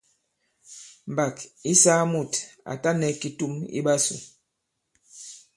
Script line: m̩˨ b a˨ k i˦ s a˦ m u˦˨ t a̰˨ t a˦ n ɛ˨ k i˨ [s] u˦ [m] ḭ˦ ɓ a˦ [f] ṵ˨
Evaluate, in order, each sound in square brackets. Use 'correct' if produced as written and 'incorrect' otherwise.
incorrect: t, correct, incorrect: s

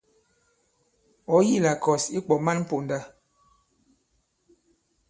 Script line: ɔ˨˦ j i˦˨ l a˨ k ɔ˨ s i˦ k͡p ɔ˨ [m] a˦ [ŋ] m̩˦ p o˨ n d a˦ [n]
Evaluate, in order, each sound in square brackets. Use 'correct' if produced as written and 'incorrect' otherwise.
correct, incorrect: n, incorrect: none

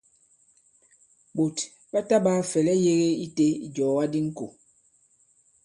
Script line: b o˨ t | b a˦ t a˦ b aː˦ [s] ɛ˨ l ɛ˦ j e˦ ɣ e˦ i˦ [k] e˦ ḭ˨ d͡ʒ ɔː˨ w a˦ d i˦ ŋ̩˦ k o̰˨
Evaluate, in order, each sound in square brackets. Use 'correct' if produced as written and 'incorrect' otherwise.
incorrect: f, incorrect: t

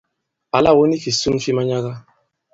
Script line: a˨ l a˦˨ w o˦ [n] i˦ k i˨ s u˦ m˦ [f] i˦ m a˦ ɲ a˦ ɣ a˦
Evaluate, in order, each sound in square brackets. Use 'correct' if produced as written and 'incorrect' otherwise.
correct, correct

